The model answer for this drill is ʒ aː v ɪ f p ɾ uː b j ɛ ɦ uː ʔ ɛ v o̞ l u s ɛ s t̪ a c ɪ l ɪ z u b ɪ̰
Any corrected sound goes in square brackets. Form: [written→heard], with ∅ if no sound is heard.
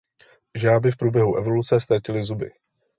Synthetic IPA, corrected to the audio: ʒ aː [v→b] ɪ f p ɾ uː b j ɛ ɦ [uː→u] ʔ ɛ v o̞ l u [s→t͡s] ɛ s t̪ a c ɪ l ɪ z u b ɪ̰